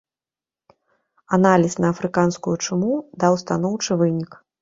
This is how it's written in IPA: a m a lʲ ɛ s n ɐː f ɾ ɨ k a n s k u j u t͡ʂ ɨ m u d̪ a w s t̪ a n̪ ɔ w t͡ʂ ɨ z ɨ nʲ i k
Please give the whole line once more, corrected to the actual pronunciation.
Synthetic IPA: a n a lʲ i s n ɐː f ɾ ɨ k a n s k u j u t͡ʂ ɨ m u d̪ a w s t̪ a n̪ ɔ w t͡ʂ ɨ v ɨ nʲ i k